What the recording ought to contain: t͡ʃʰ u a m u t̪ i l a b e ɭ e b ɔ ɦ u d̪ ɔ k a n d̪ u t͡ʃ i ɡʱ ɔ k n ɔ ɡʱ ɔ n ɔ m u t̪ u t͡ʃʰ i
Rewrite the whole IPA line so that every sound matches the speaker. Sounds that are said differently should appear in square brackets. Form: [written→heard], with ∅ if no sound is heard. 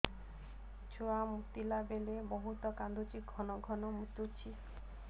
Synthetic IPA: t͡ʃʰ u a m u t̪ i l a b e [ɭ→l] e b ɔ ɦ u [d̪→t̪] ɔ k a n d̪ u t͡ʃ i ɡʱ ɔ [k→∅] n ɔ ɡʱ ɔ n ɔ m u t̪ u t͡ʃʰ i